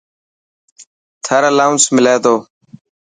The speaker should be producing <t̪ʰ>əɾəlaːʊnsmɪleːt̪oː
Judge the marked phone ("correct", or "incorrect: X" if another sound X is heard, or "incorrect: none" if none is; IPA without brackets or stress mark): correct